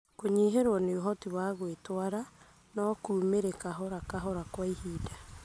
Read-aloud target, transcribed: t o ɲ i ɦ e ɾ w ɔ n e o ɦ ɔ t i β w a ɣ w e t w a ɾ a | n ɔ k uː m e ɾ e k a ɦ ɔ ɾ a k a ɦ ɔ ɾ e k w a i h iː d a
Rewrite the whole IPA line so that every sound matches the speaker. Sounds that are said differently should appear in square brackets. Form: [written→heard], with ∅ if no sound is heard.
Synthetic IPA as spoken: [t→k] o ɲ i ɦ e ɾ w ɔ n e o ɦ ɔ t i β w a ɣ w e t w a ɾ a | n ɔ k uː m e ɾ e k a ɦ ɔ ɾ a k a ɦ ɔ ɾ [e→a] k w a i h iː d a